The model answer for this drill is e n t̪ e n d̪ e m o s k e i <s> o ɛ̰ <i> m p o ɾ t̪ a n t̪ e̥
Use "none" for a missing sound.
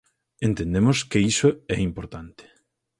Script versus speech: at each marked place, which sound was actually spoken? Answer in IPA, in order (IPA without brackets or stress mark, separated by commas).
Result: s, i